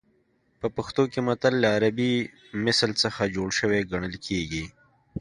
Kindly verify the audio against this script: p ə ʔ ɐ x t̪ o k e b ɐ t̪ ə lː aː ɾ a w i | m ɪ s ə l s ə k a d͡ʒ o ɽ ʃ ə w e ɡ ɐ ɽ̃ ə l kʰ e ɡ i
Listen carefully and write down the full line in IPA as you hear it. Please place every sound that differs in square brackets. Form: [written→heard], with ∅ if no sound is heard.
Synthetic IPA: p ə [ʔ→p] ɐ x t̪ o k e [b→m] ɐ t̪ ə lː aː ɾ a [w→b] i | m ɪ s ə l s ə [k→x] a d͡ʒ o ɽ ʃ ə w e ɡ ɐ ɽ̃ ə l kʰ e ɡ i